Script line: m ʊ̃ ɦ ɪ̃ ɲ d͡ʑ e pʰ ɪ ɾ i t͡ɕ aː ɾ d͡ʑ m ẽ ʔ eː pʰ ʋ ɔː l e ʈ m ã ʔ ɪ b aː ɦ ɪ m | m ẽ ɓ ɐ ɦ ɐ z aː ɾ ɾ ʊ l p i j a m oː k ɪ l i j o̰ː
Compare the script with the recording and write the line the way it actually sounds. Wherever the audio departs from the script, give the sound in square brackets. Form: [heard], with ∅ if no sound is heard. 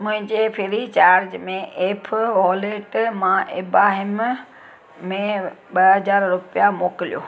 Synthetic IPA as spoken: m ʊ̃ ɦ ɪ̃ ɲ d͡ʑ e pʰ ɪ ɾ i t͡ɕ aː ɾ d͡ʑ m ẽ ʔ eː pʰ ʋ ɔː l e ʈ m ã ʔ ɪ b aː ɦ ɪ m | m ẽ ɓ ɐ ɦ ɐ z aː ɾ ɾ ʊ [∅] p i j a m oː k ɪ l i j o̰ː